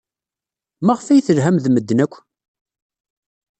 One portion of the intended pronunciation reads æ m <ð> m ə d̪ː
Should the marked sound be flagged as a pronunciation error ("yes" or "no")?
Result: no